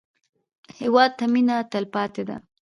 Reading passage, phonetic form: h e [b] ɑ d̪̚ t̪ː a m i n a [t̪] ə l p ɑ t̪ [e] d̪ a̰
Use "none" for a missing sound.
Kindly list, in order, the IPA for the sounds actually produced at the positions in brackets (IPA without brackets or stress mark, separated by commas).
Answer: w, t̪, e